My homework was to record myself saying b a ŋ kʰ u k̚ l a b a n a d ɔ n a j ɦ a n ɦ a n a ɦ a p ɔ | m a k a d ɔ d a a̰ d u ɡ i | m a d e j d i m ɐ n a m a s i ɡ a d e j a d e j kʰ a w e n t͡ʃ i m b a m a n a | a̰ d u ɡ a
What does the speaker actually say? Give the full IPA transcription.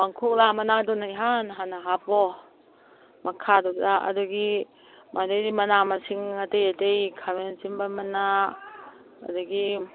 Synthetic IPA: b a ŋ kʰ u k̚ l a m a n a d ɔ n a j ɦ a n ɦ a n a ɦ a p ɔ | m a kʰ a d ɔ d a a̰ d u ɡ i | m a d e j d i m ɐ n a m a s i ŋ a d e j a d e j kʰ a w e n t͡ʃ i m b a m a n a | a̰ d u ɡ i